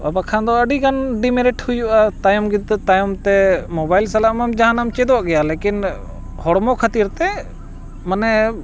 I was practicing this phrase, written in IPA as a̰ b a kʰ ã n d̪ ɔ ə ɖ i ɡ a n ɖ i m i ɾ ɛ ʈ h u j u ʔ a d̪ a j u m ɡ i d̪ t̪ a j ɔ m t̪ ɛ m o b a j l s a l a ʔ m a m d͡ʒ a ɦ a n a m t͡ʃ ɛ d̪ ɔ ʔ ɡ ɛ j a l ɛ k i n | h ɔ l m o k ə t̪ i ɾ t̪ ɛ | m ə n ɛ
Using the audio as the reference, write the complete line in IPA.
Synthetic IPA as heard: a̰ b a kʰ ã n d̪ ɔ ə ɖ i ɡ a n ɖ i m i ɾ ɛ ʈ h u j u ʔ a t̪ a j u m ɡ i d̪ t̪ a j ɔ m t̪ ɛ m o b a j l s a l a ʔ m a m d͡ʒ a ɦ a n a m t͡ʃ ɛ d̪ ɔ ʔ ɡ ɛ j a l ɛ k i n | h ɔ ɽ m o kʰ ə t̪ i ɾ t̪ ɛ | m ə n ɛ